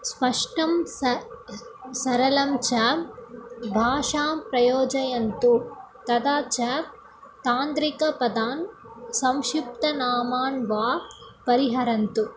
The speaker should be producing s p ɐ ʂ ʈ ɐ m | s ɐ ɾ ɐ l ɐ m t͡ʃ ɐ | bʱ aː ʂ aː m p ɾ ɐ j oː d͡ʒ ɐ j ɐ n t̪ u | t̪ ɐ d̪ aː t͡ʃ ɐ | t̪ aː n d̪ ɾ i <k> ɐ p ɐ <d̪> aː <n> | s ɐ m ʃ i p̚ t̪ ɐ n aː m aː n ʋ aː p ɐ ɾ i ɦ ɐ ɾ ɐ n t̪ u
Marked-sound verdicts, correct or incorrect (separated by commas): correct, correct, correct